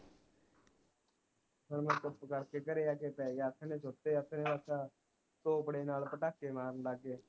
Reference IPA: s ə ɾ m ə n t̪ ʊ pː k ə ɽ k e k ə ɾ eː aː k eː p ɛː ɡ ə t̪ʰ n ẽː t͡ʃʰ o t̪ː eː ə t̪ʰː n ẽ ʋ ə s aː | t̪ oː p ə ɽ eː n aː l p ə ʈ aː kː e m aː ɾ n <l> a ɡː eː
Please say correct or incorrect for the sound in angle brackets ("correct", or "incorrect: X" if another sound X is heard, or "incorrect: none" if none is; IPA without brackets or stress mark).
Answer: correct